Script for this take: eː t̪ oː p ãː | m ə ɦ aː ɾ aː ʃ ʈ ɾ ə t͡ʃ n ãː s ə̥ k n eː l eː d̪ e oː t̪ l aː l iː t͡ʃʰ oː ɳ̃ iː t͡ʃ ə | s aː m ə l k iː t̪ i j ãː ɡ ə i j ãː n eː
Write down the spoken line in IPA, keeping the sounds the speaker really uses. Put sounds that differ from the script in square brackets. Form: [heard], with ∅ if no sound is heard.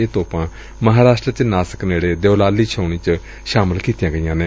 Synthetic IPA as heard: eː t̪ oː p ãː | m ə ɦ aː ɾ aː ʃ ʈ ɾ ə t͡ʃ n [aː] s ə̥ k n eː [ɽ] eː d̪ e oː [∅] l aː l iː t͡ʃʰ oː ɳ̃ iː t͡ʃ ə | [ʃ] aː m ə l k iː t̪ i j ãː ɡ ə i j ãː n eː